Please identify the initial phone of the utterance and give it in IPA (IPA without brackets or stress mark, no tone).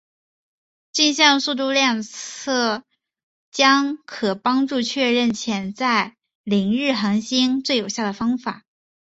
t͡ɕ